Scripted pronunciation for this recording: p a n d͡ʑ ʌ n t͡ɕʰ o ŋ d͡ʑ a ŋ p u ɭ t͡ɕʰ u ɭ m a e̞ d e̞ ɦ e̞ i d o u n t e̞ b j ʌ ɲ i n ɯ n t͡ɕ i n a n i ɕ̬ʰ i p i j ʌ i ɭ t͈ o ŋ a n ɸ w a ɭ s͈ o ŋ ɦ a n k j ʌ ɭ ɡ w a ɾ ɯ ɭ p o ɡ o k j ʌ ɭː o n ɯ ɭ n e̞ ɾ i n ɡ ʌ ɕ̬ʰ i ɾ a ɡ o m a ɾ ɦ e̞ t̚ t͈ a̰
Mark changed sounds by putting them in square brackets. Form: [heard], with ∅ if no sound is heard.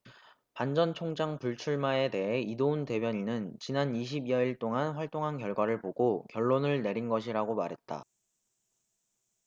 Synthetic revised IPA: p a n d͡ʑ ʌ n t͡ɕʰ o ŋ d͡ʑ a ŋ p u ɭ t͡ɕʰ u ɭ m a e̞ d e̞ ɦ e̞ i d o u n t e̞ b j ʌ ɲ i n ɯ n t͡ɕ i n a n i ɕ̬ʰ i [b] i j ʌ i ɭ t͈ o ŋ a n ɸ w a ɭ [t͈] o ŋ ɦ a n k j ʌ ɭ ɡ w a ɾ ɯ ɭ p o ɡ o k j ʌ ɭː o n ɯ ɭ n e̞ ɾ i n ɡ ʌ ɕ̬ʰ i ɾ a ɡ o m a ɾ ɦ e̞ t̚ t͈ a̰